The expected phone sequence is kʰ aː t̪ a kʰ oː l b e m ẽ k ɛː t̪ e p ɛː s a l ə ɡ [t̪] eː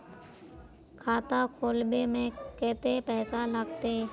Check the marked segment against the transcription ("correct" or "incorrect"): correct